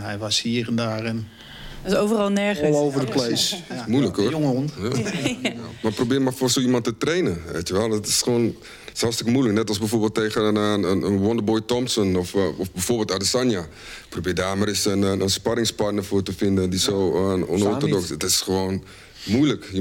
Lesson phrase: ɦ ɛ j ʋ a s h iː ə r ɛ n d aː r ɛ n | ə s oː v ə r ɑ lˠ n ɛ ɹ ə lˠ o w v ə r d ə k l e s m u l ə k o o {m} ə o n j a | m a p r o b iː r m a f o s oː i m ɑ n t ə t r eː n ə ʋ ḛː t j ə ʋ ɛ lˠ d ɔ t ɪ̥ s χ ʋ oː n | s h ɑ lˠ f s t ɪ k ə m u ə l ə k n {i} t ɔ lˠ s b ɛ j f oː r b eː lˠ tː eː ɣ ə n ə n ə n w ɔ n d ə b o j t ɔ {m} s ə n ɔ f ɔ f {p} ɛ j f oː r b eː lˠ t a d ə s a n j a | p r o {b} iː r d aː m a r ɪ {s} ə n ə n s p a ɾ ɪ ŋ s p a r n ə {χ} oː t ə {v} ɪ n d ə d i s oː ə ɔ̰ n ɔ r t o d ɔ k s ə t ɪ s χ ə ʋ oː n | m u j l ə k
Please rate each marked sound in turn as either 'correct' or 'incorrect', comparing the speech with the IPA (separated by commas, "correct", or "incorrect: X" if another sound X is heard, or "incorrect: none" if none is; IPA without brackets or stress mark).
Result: incorrect: ŋ, incorrect: ɛ, correct, incorrect: b, correct, correct, incorrect: f, incorrect: f